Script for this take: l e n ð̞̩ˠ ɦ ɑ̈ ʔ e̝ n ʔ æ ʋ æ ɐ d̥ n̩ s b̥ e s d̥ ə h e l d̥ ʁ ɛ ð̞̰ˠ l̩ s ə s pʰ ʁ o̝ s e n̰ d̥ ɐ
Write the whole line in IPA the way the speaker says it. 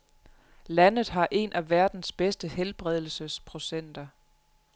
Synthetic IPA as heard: l æ n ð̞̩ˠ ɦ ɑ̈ ʔ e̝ n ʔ æ ʋ æ ɐ d̥ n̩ s b̥ e s d̥ ə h e l b̥ ʁ ɛ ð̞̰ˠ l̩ s ə s pʰ ʁ o̝ s e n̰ d̥ ɐ

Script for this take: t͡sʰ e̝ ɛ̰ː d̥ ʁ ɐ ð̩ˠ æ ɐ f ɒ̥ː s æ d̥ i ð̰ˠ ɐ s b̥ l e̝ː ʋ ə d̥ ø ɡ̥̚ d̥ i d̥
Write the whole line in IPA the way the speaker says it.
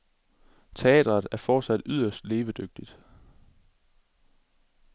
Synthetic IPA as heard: t͡sʰ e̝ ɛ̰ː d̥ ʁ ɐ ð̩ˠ æ ɐ f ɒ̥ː s æ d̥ y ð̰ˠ ɐ s d̥ l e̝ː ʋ ə d̥ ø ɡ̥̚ d̥ i d̥

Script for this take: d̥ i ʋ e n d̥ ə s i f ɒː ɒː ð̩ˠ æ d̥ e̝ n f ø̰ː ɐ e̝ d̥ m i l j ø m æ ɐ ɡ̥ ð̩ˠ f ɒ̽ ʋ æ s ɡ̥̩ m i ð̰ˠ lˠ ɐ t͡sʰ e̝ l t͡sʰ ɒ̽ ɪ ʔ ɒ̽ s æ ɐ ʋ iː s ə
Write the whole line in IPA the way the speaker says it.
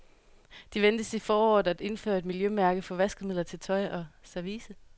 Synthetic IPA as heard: d̥ i ʋ e n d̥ ə s i f ɒː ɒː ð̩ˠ æ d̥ e̝ n f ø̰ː ɐ e̝ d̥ m i l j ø m æ ɐ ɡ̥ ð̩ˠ f ɒ̽ ʋ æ s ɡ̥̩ m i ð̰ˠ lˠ ɐ t͡sʰ e̝ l t͡sʰ ɒ̽ ɪ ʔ ɒ̽ s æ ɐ ʋ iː s ə

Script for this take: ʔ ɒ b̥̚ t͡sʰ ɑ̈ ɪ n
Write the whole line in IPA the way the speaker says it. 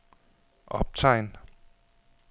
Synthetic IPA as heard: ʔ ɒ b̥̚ t͡sʰ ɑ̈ ɪ n

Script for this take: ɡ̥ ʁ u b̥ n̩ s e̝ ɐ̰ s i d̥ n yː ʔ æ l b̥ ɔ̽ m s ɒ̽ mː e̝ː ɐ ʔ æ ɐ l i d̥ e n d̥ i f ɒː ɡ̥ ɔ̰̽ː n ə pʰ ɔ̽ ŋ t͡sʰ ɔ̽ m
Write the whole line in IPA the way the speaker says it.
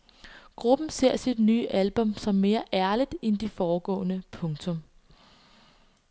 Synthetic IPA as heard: ɡ̥ ʁ u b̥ n̩ s e̝ ɐ̰ s i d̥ n yː ʔ æ l b̥ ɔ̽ m s ɒ̽ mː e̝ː ɐ ʔ æ ɐ l i d̥ e n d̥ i f ɒː ɡ̥ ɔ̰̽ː n ə pʰ ɔ̽ ŋ t͡sʰ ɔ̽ m

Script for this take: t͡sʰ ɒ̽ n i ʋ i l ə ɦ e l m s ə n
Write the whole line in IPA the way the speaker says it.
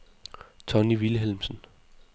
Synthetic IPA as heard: t͡sʰ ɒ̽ n i ʋ i l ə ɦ e l m s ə n

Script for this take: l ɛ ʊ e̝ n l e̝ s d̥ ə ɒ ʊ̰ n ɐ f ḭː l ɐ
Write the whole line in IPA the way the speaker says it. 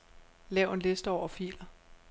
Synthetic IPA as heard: l ɛ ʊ e̝ n l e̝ s d̥ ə ɒ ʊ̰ ɐ f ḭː l ɐ

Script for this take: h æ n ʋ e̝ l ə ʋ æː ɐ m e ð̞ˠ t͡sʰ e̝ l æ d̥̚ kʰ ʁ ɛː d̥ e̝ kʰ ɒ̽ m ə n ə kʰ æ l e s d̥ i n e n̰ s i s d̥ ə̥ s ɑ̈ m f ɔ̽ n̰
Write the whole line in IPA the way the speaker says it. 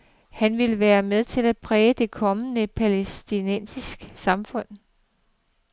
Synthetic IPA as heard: h æ n ʋ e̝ l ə ʋ æː ɐ m e ð̞ˠ t͡sʰ e̝ l æ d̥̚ pʰ ʁ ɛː d̥ e̝ kʰ ɒ̽ m ə n ə pʰ æ l e s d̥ i n e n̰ s i s ɡ̥ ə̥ s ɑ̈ m f ɔ̽ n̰

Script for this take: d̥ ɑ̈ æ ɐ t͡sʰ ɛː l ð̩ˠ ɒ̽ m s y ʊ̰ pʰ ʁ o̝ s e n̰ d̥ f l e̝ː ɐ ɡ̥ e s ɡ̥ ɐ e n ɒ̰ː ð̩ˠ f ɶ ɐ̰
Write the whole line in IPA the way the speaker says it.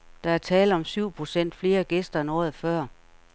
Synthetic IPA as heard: d̥ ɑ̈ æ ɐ t͡sʰ ɛː l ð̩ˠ ɒ̽ m s y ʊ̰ pʰ ʁ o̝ s e n̰ d̥ f l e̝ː ɐ ɡ̥ e s d̥ ɐ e n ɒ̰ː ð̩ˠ f ɶ ɐ̰

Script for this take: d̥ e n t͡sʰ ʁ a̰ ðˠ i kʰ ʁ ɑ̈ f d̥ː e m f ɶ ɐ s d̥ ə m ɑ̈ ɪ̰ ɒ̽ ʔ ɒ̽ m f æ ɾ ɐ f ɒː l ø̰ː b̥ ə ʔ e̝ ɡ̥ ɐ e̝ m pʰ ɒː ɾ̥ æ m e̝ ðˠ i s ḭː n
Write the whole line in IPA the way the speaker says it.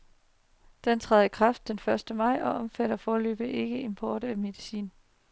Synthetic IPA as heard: d̥ e n t͡sʰ ʁ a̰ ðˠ i kʰ ʁ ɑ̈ f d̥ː e n f ɶ ɐ s d̥ ə m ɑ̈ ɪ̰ ɒ̽ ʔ ɒ̽ m f æ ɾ ɐ f ɒː l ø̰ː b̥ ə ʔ e̝ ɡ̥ ə e̝ m pʰ ɒː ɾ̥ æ m e̝ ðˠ i s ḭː n

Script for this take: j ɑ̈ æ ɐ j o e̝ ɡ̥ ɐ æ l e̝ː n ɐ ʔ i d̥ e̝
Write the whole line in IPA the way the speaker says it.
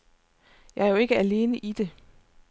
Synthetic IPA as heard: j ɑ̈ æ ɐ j o e̝ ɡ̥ ə æ l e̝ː n ə ʔ i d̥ e̝

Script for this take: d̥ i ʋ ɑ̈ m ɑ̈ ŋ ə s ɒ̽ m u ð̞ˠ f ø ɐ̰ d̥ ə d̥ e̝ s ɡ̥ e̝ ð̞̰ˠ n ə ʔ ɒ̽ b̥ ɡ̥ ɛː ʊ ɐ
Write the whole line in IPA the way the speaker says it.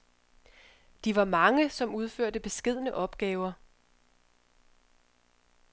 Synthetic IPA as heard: d̥ i ʋ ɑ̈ m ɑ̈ ŋ ə s ɒ̽ m u ð̞ˠ f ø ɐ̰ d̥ ə b̥ e̝ s ɡ̥ e̝ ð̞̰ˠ n ə ʔ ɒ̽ b̥ ɡ̥ ɛː ʊ ɐ

